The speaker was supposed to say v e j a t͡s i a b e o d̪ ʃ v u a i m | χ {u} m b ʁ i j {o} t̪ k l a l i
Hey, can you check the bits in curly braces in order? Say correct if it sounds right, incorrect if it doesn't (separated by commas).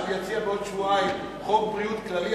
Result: incorrect, incorrect